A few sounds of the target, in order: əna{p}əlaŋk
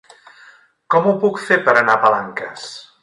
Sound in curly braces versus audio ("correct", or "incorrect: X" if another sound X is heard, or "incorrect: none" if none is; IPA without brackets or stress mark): correct